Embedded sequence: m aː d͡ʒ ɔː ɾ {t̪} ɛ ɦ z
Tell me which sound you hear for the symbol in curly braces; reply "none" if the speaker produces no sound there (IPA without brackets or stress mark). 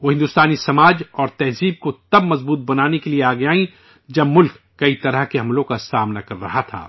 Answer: t̪